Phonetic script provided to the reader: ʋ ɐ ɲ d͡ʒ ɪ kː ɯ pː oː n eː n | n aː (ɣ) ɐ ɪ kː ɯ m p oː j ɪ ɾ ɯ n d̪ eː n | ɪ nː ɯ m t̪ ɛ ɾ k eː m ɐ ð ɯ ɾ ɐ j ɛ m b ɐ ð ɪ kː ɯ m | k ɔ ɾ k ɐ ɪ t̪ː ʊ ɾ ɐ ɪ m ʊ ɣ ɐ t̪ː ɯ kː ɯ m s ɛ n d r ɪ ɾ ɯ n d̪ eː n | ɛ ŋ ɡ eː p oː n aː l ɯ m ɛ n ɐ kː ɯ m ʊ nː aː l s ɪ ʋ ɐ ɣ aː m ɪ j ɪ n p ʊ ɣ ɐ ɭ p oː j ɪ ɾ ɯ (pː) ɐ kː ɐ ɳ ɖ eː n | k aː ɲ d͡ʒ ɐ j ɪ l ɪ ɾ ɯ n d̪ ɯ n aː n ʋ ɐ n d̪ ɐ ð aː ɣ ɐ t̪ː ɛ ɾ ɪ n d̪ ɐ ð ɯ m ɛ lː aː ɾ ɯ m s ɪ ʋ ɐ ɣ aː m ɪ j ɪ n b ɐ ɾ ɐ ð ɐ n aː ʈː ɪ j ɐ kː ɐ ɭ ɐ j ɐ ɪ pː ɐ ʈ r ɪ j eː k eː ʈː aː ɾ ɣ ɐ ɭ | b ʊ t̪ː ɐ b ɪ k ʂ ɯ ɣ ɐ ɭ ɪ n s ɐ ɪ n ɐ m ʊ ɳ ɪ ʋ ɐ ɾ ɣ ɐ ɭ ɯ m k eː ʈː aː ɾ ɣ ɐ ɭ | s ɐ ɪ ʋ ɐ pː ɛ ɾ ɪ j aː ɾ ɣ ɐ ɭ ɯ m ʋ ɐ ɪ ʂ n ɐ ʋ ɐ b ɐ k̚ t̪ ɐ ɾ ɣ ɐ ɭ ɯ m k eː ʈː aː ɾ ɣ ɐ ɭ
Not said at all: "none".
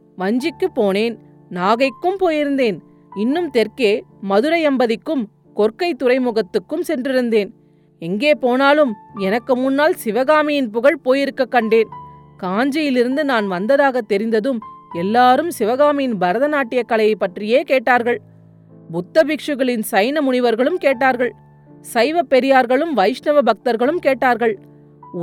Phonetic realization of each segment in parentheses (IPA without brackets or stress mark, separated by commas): ɣ, kː